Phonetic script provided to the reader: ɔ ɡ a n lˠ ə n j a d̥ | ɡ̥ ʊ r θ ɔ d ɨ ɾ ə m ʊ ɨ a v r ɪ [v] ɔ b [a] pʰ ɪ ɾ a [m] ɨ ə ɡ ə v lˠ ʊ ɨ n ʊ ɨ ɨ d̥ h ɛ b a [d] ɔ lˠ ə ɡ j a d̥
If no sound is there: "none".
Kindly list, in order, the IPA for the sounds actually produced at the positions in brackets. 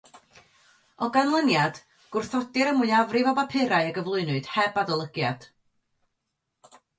v, a, none, d

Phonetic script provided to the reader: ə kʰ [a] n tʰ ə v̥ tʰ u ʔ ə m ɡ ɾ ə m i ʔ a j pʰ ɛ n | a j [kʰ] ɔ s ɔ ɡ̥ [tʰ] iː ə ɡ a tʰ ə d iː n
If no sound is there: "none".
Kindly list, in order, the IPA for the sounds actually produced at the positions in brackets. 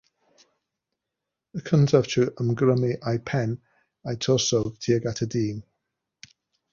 ə, tʰ, tʰ

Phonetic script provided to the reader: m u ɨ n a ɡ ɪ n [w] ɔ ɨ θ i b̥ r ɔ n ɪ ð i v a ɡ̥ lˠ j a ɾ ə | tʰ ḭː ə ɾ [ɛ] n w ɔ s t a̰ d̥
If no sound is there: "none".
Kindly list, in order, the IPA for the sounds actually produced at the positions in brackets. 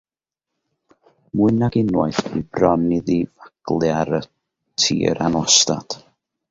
w, a

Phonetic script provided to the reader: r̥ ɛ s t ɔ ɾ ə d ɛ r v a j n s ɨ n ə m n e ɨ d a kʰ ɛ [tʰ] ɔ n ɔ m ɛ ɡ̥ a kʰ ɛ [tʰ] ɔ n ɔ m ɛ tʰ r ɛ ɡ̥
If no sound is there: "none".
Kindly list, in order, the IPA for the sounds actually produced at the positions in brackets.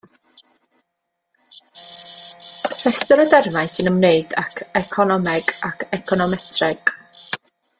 kʰ, kʰ

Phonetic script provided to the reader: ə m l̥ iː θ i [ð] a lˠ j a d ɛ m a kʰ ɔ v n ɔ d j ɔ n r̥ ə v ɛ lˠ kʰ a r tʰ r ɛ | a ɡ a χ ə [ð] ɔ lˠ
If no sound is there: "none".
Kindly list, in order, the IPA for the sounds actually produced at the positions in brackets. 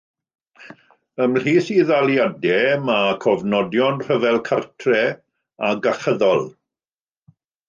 ð, ð

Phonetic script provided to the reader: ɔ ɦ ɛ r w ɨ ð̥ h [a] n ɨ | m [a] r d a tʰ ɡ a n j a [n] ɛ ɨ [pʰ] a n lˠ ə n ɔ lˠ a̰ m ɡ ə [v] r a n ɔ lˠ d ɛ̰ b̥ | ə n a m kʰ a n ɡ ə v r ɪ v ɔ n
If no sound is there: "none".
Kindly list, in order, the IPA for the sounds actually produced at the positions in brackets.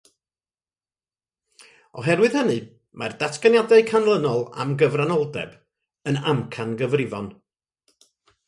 ə, a, d, kʰ, v

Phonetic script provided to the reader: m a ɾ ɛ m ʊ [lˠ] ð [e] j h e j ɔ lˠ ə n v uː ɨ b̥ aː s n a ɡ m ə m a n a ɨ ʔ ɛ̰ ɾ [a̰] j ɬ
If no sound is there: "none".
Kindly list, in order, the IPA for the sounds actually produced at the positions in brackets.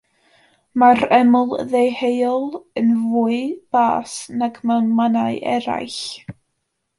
lˠ, e, a̰

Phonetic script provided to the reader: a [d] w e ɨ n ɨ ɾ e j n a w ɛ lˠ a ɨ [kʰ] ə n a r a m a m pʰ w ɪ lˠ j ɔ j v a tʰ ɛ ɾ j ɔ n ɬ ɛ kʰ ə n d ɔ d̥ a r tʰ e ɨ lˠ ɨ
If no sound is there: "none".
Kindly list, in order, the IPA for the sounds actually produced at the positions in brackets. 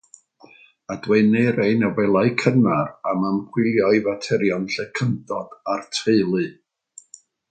d, kʰ

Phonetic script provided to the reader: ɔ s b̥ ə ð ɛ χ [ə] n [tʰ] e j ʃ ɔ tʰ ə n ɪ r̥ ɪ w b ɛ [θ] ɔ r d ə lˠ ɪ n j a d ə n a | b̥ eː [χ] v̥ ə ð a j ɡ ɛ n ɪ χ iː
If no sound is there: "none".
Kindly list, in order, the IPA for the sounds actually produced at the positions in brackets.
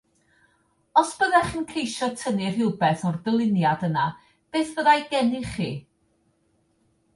ə, kʰ, θ, θ

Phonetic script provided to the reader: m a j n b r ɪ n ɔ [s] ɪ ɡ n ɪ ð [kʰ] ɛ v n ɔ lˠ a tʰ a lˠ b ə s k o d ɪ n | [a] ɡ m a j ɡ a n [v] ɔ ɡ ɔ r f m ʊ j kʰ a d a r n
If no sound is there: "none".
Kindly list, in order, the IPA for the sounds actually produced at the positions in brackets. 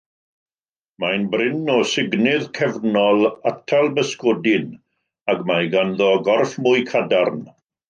s, kʰ, a, ð

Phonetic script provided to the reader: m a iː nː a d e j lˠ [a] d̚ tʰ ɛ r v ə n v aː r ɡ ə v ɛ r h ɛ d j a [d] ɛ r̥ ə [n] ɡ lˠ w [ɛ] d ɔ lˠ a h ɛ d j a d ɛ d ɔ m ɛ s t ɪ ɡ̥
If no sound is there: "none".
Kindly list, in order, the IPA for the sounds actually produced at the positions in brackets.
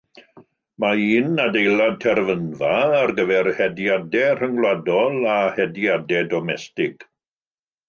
a, d, ŋ, a

